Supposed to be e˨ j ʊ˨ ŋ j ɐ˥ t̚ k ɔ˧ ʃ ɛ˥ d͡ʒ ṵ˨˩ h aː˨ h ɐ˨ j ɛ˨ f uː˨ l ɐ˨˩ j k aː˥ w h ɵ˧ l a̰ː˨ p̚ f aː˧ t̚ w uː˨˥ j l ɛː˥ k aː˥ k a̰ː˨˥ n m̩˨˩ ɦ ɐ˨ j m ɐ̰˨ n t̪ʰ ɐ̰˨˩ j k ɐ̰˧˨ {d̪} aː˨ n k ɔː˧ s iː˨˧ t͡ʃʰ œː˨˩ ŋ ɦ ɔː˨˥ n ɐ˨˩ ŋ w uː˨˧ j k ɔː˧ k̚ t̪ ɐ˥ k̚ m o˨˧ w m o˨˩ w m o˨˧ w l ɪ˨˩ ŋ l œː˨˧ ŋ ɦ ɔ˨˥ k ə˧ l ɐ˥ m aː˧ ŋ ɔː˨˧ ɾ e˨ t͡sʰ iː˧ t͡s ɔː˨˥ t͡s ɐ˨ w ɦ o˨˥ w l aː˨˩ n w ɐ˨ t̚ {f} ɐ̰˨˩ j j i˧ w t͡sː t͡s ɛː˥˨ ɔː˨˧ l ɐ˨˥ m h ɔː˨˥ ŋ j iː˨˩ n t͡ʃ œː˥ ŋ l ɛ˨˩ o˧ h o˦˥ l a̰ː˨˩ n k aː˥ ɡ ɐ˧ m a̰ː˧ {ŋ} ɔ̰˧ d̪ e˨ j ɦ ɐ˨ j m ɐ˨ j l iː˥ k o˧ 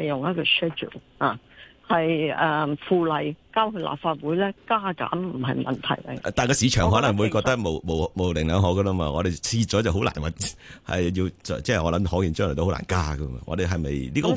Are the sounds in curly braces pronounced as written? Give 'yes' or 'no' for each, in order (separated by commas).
no, no, yes